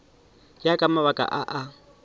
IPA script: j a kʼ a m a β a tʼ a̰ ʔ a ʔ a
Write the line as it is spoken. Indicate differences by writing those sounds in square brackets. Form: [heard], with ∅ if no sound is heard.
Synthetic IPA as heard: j a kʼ a m a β a [kʼ] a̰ ʔ a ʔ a